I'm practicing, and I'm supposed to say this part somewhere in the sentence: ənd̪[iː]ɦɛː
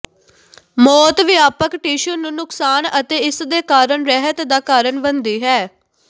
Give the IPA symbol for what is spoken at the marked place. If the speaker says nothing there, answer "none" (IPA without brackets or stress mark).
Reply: iː